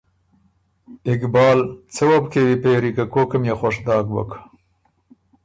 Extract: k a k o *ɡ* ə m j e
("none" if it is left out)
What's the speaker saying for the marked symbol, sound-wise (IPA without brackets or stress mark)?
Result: k